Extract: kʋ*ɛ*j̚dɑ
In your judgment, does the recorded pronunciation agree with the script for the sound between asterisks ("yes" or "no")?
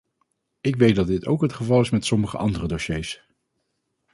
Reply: no